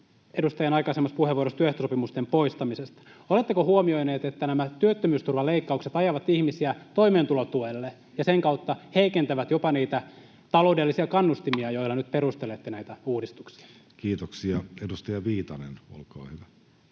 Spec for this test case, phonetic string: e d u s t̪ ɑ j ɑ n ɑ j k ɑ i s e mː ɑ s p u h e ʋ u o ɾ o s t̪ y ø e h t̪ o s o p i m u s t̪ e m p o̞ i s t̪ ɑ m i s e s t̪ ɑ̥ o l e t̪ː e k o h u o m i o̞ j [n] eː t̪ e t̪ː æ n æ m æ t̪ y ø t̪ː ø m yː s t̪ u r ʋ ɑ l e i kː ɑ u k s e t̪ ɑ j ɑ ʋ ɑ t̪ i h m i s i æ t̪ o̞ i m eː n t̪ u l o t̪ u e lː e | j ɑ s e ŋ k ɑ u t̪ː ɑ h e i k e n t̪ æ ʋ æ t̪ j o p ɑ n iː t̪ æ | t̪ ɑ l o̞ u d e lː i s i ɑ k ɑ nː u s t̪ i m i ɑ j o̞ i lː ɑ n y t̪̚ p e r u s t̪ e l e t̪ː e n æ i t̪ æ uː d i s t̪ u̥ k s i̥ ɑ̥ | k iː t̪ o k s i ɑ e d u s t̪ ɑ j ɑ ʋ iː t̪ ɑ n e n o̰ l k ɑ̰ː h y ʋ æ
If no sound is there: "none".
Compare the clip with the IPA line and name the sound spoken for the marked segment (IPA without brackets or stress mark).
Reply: n